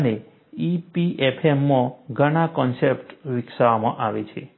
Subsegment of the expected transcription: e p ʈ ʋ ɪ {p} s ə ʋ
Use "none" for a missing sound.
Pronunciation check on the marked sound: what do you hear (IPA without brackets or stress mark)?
k